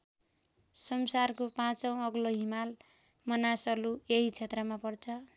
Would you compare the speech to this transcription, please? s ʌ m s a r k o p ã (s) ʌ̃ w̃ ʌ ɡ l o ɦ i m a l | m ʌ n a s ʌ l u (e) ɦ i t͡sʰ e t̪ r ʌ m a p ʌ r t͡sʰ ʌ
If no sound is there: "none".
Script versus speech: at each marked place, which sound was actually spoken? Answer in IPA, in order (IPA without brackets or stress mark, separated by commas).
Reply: t͡s, e